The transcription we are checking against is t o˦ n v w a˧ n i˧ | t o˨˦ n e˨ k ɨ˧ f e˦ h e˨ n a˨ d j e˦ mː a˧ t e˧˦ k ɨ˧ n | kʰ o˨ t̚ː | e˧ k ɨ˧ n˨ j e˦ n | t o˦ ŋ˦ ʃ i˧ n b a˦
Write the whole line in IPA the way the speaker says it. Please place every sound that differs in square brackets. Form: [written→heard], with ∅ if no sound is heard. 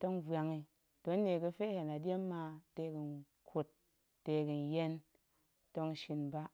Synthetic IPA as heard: t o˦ [n→ŋ] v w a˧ [n→ŋ] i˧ | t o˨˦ n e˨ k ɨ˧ f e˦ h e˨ n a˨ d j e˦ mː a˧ t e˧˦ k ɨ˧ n | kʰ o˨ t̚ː | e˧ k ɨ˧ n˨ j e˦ n | t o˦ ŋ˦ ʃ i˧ n b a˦